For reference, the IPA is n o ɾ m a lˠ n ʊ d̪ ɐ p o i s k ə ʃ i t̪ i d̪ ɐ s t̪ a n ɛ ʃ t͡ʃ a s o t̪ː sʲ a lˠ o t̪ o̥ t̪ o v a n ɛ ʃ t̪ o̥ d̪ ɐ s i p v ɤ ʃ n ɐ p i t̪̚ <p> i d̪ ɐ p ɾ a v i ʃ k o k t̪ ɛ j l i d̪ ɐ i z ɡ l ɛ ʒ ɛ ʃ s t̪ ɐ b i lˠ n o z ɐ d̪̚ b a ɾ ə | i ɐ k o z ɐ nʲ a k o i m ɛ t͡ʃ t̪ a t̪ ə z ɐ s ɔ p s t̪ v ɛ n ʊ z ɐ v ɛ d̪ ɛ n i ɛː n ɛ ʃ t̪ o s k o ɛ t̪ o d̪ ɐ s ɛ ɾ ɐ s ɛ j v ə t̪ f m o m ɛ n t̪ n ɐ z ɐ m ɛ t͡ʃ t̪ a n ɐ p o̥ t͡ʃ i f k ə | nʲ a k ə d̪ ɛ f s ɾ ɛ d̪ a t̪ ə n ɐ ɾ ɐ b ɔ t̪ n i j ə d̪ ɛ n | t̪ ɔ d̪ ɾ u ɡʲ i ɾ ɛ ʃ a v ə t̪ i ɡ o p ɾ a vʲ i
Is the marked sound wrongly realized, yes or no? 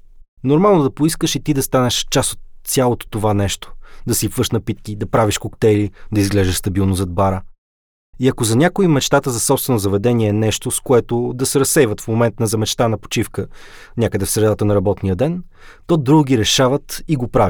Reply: yes